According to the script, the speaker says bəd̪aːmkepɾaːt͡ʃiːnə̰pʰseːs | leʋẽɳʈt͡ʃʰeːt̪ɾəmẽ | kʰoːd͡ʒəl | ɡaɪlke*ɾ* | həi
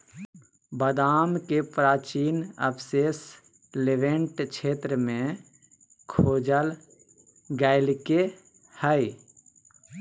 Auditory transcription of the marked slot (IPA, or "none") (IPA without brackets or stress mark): none